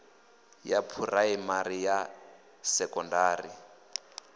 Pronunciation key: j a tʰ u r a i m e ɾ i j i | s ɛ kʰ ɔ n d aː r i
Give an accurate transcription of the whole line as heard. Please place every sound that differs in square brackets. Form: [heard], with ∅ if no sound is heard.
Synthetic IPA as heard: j a [pʰ] u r a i m [a] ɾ i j [a] | s ɛ [k] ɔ n d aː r i